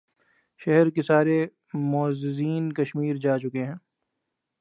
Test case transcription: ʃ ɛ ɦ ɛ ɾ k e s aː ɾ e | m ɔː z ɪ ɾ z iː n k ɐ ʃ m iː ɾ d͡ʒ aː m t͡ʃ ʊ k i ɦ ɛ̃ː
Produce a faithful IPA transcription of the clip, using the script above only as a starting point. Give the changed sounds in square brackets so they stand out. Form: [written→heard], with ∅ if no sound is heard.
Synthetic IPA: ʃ ɛ ɦ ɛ ɾ k e s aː ɾ e | m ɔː z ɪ [ɾ→∅] z iː n k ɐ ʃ m iː ɾ d͡ʒ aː [m→∅] t͡ʃ ʊ k [i→e] ɦ ɛ̃ː